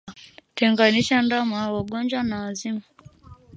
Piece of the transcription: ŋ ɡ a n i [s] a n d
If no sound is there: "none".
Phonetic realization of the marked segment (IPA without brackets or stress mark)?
ʃ